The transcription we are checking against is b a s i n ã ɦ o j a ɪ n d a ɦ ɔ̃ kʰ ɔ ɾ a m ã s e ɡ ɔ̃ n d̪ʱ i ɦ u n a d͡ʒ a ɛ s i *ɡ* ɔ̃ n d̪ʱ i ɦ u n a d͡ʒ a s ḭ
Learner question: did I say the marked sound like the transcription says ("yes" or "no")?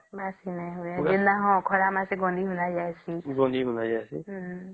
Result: yes